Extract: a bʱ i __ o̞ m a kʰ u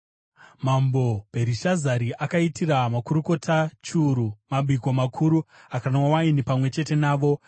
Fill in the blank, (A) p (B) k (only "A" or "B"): B